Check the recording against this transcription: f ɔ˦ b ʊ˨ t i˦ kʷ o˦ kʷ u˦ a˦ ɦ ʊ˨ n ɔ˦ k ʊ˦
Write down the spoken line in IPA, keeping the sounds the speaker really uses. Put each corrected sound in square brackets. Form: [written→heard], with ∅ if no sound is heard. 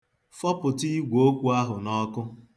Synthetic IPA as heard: f ɔ˦ [b→p] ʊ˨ t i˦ [kʷ→ɡʷ] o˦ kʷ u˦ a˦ ɦ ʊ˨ n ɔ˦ k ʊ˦